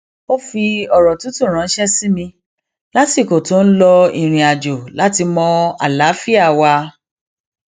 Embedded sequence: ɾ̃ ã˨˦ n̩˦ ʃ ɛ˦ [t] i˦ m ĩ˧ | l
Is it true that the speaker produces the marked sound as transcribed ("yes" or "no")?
no